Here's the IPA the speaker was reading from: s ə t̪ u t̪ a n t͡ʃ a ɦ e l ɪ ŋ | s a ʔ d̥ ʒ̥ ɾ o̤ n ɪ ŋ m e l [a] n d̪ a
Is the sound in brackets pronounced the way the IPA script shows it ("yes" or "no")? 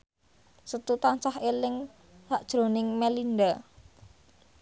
no